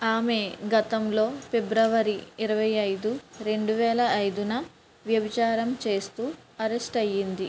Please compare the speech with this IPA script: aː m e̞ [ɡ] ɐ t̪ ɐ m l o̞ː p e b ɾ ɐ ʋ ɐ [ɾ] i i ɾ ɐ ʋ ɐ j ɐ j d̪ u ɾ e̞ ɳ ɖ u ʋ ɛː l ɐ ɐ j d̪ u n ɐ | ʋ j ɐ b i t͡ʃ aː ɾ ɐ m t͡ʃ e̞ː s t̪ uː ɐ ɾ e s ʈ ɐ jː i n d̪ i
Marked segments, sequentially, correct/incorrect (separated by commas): correct, correct